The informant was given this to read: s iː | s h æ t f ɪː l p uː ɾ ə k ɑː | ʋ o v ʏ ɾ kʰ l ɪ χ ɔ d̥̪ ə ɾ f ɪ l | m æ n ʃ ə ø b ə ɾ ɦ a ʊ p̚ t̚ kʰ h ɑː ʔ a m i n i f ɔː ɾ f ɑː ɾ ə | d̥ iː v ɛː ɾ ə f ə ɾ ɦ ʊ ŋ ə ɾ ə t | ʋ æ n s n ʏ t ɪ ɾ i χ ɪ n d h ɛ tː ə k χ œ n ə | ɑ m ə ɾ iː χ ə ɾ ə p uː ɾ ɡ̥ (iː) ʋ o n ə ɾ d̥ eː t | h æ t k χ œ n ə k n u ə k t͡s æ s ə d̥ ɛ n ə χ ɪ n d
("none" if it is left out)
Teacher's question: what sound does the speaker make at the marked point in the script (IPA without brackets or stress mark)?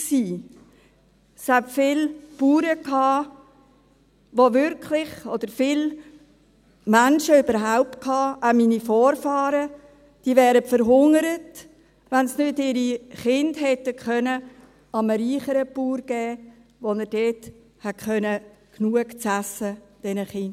ɛː